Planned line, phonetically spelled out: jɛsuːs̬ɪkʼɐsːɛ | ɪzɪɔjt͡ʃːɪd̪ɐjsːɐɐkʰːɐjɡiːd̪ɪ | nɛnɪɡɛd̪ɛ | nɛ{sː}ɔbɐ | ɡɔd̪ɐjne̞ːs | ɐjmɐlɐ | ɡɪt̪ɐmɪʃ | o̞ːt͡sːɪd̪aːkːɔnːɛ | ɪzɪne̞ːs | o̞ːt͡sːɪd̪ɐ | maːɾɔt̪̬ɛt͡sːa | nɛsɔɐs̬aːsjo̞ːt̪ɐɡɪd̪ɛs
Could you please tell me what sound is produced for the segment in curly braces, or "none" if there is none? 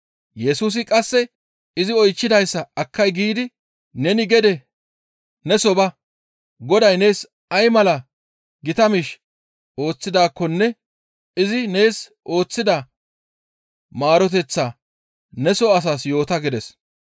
s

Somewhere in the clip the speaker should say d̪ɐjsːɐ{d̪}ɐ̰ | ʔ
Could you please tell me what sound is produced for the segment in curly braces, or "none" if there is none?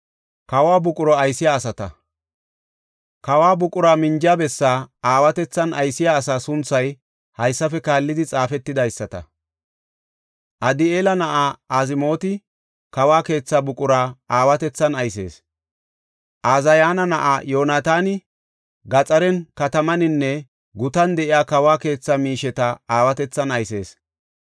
t̪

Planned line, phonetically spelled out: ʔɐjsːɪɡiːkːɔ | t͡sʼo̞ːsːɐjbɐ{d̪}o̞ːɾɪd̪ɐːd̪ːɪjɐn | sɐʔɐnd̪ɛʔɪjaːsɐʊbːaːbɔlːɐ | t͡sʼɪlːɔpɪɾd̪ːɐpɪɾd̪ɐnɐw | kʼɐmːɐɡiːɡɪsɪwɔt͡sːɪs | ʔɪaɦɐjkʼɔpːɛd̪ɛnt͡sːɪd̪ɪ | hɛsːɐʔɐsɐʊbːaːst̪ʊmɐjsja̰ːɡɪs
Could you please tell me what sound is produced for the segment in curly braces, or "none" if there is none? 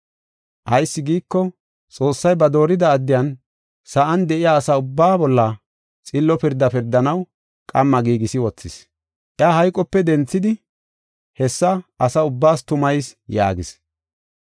d̪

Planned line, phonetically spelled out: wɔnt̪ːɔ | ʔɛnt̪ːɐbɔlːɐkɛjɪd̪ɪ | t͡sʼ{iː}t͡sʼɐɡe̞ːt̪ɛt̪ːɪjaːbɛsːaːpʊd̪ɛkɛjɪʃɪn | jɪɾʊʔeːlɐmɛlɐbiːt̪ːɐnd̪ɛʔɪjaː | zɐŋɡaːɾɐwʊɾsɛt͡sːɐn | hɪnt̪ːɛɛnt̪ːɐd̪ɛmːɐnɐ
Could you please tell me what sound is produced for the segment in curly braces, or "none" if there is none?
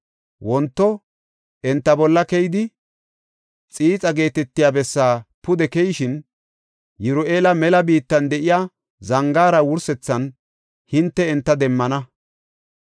iː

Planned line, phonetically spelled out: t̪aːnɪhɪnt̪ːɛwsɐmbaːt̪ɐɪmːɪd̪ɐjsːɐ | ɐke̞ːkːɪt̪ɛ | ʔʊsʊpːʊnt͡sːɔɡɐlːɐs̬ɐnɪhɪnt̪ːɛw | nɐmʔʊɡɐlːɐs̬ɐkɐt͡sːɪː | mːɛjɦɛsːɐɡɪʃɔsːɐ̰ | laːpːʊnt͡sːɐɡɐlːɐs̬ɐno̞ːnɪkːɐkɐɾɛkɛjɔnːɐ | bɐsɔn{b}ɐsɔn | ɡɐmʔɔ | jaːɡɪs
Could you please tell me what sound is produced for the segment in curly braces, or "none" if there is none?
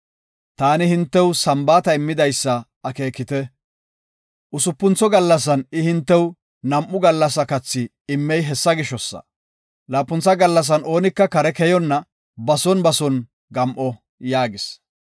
b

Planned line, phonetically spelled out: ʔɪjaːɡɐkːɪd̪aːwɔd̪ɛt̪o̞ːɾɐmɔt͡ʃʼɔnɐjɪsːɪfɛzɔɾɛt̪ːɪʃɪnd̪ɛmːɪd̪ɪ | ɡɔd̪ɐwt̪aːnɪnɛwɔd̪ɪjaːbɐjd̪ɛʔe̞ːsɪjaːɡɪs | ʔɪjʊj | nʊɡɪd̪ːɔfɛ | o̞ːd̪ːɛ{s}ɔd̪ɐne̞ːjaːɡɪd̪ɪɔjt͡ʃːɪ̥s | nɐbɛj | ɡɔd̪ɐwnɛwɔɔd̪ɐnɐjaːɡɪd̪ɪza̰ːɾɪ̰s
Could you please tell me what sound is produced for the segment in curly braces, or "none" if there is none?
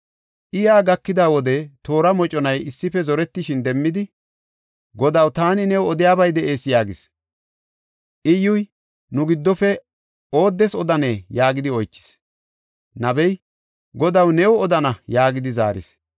s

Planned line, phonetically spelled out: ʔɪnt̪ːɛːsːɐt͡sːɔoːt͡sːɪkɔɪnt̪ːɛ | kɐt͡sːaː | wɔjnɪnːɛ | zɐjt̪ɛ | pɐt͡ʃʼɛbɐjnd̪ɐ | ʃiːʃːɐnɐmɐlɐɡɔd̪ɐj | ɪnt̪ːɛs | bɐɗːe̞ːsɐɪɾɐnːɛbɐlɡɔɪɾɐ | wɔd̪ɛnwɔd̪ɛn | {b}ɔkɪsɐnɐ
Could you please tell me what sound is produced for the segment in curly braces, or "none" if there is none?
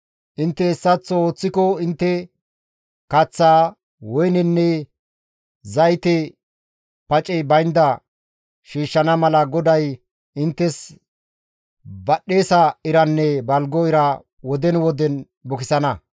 b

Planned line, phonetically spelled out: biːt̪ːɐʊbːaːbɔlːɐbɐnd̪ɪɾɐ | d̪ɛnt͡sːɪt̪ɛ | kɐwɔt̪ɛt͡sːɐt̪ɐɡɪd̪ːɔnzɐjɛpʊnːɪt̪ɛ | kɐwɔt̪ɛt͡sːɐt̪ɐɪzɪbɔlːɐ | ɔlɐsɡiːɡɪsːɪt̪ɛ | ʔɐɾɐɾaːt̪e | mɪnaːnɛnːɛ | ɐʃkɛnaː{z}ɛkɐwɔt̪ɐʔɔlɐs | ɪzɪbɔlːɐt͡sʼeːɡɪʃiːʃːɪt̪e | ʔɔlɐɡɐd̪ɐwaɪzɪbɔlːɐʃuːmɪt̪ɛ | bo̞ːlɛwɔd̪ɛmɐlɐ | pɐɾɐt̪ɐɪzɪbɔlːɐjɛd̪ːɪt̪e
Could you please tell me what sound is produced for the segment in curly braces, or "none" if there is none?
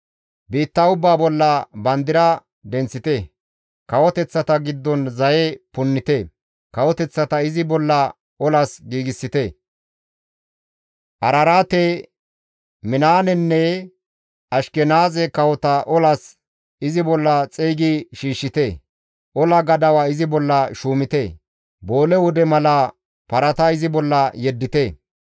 z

